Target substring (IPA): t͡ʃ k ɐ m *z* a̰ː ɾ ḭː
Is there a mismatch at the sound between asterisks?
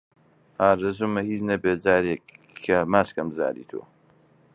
no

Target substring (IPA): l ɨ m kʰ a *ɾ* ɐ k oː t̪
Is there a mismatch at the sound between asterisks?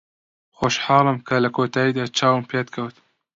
yes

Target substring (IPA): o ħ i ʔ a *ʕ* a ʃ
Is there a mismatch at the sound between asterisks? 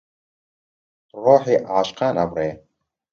no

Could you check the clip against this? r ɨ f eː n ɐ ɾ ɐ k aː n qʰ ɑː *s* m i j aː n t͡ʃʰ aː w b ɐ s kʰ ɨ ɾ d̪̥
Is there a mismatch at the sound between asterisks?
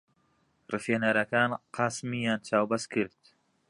no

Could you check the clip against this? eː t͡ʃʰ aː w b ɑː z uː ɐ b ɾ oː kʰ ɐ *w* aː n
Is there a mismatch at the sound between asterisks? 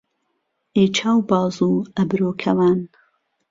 no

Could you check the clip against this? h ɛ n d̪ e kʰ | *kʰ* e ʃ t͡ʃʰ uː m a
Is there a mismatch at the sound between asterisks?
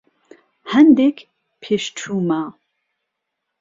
yes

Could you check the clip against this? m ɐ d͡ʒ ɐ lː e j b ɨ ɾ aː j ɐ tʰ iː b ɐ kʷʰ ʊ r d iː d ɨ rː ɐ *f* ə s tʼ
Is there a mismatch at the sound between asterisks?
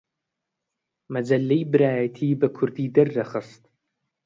yes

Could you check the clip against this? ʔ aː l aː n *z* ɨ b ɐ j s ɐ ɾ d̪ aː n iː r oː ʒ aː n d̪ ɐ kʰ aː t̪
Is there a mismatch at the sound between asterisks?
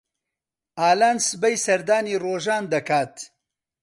yes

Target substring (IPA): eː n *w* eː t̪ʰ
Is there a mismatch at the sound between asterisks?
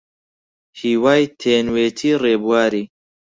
no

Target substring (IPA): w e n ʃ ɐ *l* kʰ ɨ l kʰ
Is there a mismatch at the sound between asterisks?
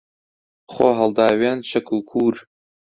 yes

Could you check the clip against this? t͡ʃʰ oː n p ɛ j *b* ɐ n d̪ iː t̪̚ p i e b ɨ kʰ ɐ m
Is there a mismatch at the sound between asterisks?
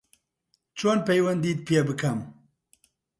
yes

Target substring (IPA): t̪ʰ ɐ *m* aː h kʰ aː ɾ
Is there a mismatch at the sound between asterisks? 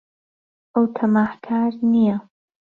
no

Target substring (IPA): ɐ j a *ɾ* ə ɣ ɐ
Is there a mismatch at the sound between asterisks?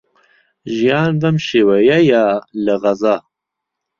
yes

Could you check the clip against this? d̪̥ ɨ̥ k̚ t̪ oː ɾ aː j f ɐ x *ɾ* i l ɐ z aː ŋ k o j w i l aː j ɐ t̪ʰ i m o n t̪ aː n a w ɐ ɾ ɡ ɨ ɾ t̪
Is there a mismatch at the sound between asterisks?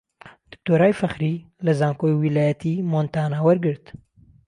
no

